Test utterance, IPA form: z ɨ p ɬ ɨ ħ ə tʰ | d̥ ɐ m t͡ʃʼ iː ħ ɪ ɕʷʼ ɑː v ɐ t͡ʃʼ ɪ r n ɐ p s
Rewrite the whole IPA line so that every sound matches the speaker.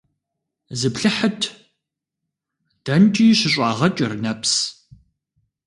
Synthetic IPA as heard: z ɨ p ɬ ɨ ħ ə tʰ | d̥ ɐ n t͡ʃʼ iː ɕ ɪ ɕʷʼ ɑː ʁ ɐ t͡ʃʼ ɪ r n ɐ p s